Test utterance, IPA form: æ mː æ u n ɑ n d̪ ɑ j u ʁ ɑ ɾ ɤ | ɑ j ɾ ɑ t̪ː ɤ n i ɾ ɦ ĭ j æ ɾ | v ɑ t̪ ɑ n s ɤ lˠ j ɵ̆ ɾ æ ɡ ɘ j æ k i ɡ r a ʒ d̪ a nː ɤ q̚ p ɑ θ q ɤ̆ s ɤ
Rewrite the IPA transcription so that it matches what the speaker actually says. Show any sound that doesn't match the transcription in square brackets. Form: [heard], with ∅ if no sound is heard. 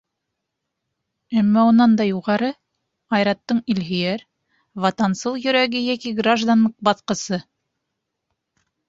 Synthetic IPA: æ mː æ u n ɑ n d̪ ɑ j u ʁ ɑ ɾ ɤ | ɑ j ɾ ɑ t̪ː ɤ [ɴ] i [l] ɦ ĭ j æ ɾ | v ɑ t̪ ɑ n s ɤ lˠ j ɵ̆ ɾ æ ɡ ɘ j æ k i ɡ r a ʒ d̪ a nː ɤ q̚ [b] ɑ θ q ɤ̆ s ɤ